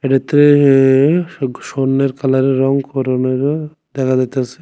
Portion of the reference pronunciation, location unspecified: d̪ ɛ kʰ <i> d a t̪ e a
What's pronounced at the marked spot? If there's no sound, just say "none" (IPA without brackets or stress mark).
a